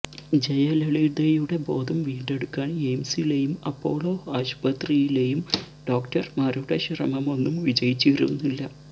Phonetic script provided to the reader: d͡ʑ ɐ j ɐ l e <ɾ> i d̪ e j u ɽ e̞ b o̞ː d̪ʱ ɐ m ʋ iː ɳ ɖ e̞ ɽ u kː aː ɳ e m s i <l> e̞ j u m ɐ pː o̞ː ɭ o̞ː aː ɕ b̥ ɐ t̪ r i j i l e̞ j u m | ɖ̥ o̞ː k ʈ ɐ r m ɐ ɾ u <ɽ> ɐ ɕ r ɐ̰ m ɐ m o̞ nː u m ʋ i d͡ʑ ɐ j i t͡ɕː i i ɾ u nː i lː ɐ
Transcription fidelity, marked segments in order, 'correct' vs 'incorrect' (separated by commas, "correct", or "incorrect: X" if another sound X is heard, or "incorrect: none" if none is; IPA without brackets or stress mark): incorrect: ɭ, correct, correct